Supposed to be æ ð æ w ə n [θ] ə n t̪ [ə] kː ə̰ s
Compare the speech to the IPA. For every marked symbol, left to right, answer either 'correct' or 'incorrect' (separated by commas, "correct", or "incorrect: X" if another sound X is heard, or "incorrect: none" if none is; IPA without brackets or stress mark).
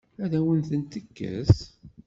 correct, correct